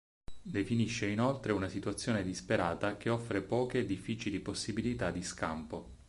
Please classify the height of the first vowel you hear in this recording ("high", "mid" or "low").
mid